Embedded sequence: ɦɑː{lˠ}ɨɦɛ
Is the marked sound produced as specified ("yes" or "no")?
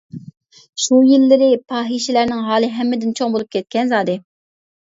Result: yes